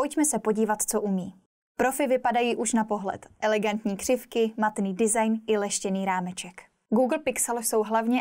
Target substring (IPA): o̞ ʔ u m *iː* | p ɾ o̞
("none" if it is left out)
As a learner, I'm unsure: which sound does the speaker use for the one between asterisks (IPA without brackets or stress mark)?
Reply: iː